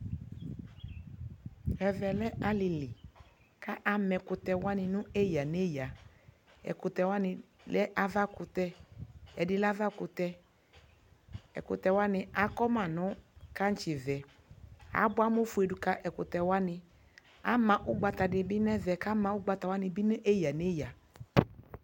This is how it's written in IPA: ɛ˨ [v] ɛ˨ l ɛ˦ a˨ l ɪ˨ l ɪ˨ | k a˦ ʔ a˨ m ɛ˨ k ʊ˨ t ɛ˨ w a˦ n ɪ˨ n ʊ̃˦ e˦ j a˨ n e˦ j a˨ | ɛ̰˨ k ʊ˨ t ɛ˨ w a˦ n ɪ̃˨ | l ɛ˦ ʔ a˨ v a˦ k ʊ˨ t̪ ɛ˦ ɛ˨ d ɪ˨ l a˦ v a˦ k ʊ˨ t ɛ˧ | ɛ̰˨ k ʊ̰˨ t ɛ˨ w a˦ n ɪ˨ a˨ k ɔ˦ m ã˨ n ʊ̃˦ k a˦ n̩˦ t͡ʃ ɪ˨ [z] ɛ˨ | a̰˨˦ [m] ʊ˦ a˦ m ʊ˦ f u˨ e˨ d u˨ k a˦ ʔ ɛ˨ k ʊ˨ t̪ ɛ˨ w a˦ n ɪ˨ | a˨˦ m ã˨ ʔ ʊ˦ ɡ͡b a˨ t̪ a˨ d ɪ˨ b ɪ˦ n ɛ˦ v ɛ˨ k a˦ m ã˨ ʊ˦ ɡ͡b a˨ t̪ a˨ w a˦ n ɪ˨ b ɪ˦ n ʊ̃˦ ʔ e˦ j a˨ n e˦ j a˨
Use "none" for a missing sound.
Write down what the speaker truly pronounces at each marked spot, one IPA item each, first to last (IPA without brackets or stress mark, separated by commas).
v, v, b